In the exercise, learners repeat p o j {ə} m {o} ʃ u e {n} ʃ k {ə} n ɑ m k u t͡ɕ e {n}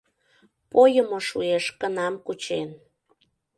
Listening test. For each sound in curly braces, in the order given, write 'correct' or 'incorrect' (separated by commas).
correct, correct, incorrect, correct, correct